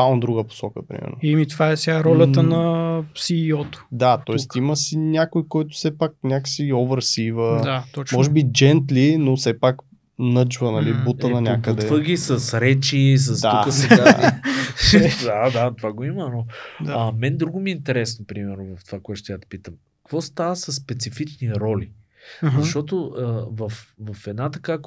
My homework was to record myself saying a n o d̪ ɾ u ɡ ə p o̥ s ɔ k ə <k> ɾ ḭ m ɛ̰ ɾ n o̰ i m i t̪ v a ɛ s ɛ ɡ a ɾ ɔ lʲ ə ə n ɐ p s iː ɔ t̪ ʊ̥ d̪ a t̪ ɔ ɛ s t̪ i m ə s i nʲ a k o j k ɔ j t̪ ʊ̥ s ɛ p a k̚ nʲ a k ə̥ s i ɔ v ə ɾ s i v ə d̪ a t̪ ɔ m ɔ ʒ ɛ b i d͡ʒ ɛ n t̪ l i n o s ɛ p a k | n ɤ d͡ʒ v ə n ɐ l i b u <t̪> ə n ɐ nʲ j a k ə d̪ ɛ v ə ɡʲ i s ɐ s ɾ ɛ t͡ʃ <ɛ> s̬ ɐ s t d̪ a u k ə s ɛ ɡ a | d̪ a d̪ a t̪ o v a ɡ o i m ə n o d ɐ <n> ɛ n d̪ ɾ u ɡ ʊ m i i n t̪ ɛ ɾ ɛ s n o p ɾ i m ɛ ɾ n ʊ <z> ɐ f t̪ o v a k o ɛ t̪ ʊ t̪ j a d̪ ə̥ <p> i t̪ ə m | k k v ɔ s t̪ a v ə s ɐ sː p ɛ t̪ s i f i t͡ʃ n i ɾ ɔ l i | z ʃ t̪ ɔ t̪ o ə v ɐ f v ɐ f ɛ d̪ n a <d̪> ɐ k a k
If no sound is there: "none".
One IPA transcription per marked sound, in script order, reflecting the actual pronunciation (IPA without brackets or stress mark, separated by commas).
p, t̪, i, m, v, p, t̪